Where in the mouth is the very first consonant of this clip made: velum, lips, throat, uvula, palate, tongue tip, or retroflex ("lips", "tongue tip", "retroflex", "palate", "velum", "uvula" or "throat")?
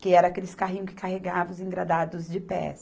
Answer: velum